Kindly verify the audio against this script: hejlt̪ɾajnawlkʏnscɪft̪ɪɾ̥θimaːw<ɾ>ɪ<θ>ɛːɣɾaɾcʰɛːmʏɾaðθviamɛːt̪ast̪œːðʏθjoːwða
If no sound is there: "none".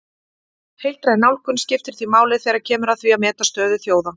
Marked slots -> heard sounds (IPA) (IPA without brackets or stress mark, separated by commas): l, θ